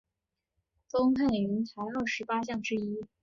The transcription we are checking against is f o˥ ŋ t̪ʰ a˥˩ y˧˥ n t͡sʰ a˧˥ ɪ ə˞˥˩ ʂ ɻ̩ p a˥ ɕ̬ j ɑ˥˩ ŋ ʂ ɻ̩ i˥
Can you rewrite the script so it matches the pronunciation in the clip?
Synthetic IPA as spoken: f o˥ ŋ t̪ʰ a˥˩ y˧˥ n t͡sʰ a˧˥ ɪ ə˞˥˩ ʂ ɻ̩ p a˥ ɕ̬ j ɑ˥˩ ŋ ʈ͡ʂ ɻ̩ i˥